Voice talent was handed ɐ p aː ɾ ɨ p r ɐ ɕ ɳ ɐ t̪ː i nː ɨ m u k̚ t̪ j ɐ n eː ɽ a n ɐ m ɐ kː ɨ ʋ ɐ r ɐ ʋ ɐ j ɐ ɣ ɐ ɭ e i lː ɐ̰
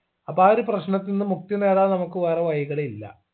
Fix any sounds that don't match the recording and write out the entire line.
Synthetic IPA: ɐ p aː ɾ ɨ p r ɐ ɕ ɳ ɐ t̪ː i nː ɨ m u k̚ t̪ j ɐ n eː ɽ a n ɐ m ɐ kː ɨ ʋ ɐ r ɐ ʋ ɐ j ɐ ɣ ɐ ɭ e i lː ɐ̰

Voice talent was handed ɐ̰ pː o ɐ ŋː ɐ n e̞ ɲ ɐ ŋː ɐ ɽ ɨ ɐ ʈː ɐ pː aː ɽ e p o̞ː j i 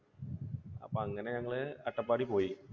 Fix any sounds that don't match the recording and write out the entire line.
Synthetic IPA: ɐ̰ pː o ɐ ŋː ɐ n e̞ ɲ ɐ ŋː ɐ ɭ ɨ ɐ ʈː ɐ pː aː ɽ i p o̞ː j i

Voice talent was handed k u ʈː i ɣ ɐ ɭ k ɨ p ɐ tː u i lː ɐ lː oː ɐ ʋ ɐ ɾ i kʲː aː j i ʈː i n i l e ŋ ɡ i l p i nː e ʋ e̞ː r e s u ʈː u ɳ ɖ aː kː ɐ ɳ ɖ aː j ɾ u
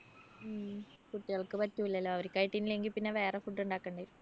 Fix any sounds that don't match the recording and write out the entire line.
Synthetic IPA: k u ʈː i ɣ ɐ ɭ k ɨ p ɐ tː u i lː ɐ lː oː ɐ ʋ ɐ ɾ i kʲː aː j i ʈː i n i l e ŋ ɡ i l p i nː e ʋ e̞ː r e f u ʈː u ɳ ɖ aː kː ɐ ɳ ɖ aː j ɾ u

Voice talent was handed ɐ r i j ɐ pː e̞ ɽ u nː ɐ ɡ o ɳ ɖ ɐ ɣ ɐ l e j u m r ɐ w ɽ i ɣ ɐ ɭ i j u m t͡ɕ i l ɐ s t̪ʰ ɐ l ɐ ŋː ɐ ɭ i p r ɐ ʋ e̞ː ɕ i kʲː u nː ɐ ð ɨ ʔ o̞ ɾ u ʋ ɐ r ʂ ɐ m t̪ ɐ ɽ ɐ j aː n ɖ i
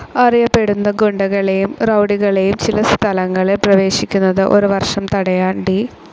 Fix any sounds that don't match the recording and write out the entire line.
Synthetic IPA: ɐ r i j ɐ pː e̞ ɽ u nː ɐ ɡ o ɳ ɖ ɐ ɣ ɐ ɭ e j u m r ɐ w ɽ i ɣ ɐ ɭ e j u m t͡ɕ i l ɐ s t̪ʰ ɐ l ɐ ŋː ɐ ɭ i p r ɐ ʋ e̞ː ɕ i kʲː u nː ɐ ð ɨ ʔ o̞ ɾ u ʋ ɐ r ʂ ɐ m t̪ ɐ ɽ ɐ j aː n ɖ i

